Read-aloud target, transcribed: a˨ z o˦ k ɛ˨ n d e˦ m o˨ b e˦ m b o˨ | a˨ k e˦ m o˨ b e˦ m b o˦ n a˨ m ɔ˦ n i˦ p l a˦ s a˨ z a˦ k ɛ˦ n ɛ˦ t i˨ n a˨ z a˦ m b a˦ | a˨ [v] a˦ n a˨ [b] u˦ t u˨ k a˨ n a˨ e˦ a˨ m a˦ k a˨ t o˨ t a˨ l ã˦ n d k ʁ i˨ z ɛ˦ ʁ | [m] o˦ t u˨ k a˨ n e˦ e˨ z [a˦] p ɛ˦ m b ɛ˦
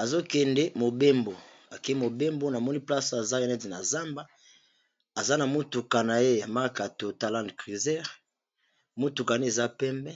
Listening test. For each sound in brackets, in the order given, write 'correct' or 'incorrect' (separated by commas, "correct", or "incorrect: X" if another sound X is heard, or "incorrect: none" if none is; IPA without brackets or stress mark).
incorrect: z, incorrect: m, correct, correct